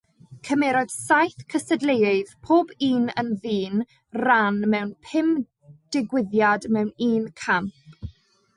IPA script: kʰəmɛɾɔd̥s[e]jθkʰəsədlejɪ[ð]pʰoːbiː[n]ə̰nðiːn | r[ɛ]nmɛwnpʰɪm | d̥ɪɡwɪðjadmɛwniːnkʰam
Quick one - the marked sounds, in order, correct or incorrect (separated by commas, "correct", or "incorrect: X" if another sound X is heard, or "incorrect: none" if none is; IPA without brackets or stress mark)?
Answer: incorrect: a, correct, correct, incorrect: a